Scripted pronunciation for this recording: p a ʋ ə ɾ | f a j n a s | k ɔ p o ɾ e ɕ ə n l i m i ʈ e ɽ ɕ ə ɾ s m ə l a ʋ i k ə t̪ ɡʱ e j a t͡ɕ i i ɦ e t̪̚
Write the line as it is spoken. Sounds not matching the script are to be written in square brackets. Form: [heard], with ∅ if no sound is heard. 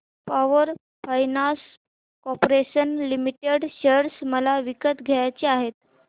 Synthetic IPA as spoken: p a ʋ ə ɾ | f a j n a s | k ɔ p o ɾ e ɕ ə n l i m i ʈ e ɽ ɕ ə ɾ s m ə l a ʋ i k ə t̪ ɡʱ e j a t͡ɕ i [a] ɦ e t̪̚